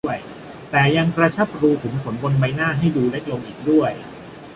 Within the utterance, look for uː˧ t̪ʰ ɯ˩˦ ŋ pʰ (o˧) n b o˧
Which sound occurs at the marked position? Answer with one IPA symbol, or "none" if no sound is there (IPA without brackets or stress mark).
o˩˦